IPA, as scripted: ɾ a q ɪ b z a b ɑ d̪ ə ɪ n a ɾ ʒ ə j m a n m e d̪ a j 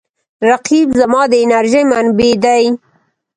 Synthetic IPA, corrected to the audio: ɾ a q i b z a m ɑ d̪ ə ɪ n a ɾ ʒ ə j m a n b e d̪ a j